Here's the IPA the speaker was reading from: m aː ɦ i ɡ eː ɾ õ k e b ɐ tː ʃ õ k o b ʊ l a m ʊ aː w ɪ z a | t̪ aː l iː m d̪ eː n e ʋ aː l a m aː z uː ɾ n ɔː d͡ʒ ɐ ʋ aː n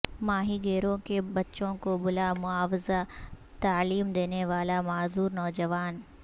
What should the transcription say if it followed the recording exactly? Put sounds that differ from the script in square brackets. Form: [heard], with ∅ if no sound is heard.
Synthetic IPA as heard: m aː ɦ i ɡ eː ɾ õ k e b ɐ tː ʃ õ k o b ʊ l a m ʊ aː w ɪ z a | t̪ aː l iː m d̪ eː n e ʋ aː l a m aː z uː ɾ n ɔː d͡ʒ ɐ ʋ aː n